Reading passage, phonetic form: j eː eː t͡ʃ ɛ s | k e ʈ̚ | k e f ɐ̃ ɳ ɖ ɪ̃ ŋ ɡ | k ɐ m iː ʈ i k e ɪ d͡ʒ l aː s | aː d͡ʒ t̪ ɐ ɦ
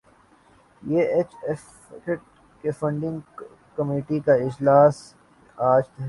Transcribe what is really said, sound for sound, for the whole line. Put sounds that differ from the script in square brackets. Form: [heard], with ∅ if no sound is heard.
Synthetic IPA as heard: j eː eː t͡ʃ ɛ [f] | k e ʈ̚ | k e f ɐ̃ ɳ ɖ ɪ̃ ŋ ɡ | k ɐ m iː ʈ i k [a] ɪ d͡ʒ l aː s | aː d͡ʒ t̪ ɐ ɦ